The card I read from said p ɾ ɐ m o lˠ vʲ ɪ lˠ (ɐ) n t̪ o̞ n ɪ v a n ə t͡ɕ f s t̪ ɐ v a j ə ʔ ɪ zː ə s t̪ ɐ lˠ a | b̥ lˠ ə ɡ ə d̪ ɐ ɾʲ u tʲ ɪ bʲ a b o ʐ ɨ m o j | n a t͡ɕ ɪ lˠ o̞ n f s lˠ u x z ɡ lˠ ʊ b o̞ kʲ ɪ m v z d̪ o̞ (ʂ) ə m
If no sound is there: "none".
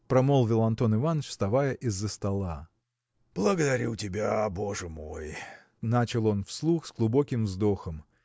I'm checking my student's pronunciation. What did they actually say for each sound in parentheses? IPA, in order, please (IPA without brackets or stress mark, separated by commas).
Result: ɐ, x